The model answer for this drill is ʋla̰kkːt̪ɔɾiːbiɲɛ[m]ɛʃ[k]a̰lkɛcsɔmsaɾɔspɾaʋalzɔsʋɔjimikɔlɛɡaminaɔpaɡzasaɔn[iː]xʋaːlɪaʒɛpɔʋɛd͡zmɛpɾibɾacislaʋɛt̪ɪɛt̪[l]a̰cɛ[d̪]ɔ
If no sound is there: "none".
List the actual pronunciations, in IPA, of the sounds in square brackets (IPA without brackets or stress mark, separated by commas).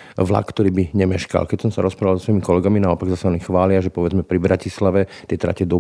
m, k, i, ɾ, d̪